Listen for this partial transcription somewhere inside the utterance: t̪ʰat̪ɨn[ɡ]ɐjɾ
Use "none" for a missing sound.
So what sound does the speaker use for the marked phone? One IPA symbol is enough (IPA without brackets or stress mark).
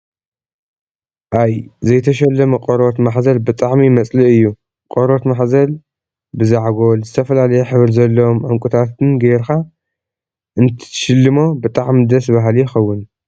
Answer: ɡ